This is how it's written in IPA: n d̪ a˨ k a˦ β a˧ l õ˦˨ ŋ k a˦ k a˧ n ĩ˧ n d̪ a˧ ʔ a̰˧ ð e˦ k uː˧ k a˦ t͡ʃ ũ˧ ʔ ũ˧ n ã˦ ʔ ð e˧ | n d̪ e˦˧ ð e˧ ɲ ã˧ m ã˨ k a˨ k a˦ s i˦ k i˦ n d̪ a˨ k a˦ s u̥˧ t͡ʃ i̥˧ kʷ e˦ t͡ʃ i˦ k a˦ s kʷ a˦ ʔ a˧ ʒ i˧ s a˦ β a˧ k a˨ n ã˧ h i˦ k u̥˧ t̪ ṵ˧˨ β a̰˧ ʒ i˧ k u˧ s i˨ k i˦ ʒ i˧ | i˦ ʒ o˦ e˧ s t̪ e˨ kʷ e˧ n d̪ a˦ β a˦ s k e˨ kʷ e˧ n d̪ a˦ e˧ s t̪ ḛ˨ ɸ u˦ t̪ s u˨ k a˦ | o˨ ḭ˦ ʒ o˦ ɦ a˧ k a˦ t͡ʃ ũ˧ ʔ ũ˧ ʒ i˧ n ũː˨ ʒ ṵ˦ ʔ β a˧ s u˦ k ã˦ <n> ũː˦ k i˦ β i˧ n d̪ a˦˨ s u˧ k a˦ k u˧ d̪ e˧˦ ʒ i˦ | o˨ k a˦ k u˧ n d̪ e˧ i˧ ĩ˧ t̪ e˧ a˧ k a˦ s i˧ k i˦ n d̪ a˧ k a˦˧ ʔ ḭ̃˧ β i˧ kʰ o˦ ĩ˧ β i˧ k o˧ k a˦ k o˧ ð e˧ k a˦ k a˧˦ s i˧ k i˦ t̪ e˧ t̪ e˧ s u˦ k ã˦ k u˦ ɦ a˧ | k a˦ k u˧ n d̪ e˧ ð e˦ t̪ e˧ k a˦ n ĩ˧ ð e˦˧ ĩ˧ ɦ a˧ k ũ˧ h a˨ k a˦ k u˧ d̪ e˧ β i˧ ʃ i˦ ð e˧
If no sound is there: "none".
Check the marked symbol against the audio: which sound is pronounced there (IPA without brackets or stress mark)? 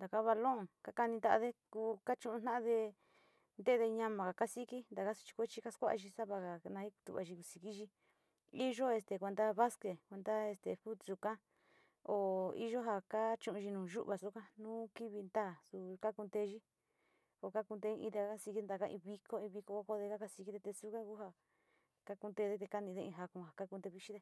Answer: n